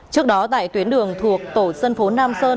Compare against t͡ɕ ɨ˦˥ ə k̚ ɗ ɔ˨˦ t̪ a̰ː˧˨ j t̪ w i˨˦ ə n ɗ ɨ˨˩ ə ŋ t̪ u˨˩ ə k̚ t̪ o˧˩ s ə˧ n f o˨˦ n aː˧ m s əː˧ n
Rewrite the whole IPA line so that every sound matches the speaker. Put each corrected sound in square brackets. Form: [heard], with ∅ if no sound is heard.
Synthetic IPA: t͡ɕ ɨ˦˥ ə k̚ ɗ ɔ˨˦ t̪ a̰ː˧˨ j t̪ w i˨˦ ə n ɗ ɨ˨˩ ə ŋ [t̪ʰ] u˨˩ ə k̚ t̪ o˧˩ s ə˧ n f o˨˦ n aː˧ m s əː˧ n